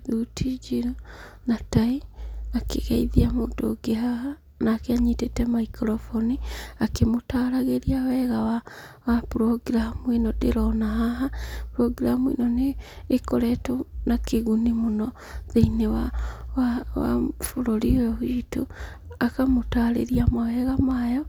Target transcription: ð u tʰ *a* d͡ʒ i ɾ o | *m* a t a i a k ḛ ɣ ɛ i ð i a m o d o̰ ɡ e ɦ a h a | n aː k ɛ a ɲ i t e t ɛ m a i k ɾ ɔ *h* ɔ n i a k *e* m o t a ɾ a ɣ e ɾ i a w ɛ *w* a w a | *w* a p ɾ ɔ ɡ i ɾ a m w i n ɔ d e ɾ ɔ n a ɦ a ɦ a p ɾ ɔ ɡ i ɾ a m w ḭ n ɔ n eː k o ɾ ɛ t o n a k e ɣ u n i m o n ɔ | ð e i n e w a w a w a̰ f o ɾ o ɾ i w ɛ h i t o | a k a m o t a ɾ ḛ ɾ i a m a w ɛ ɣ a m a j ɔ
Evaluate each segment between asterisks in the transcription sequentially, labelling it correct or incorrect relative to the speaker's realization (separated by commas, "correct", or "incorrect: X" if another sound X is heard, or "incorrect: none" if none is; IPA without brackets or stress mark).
incorrect: i, incorrect: n, incorrect: f, correct, incorrect: ɣ, correct